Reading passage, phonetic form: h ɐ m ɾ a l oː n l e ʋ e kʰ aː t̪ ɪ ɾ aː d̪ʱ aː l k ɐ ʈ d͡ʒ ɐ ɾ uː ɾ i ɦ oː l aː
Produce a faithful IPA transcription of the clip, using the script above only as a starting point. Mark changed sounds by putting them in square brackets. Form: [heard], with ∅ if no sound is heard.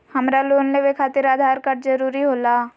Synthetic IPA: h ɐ m ɾ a l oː n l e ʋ e kʰ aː t̪ ɪ ɾ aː d̪ʱ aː [ɾ] k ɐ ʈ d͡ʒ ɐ ɾ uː ɾ i ɦ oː l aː